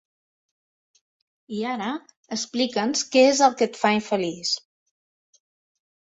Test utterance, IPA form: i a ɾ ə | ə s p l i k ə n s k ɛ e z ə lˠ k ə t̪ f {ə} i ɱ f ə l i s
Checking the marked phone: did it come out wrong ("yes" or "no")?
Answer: yes